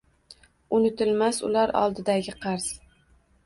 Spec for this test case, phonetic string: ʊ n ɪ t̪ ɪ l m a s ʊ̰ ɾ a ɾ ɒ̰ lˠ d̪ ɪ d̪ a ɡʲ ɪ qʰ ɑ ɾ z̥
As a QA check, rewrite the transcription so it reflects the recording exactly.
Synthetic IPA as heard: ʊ n ɪ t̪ ɪ l m a s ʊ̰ l a ɾ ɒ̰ lˠ d̪ ɪ d̪ a ɡʲ ɪ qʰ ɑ ɾ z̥